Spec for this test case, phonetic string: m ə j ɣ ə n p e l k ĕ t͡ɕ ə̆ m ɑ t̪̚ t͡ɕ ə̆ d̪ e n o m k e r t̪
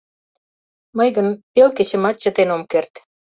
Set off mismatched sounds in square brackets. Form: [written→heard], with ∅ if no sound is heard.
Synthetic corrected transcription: m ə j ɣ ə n p e l k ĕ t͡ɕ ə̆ m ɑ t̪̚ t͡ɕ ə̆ [d̪→t̪] e n o m k e r t̪